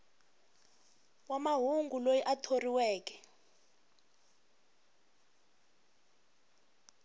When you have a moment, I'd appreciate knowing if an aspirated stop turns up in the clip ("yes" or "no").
yes